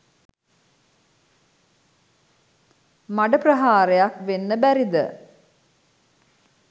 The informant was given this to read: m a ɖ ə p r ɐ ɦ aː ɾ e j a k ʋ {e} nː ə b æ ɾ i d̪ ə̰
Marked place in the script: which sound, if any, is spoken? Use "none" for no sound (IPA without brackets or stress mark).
e